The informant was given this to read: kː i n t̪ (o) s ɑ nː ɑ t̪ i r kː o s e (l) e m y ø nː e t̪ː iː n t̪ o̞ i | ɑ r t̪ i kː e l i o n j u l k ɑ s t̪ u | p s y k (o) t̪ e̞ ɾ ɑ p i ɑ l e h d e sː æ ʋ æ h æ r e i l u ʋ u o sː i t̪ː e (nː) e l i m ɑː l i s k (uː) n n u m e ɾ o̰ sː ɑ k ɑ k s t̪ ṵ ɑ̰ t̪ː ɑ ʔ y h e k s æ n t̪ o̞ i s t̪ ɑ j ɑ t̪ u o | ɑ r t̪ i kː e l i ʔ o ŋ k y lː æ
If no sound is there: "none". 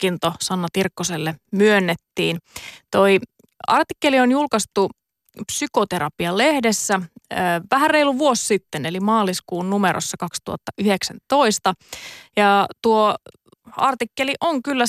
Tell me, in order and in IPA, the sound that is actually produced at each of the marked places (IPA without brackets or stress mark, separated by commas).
o, lː, o, n, uː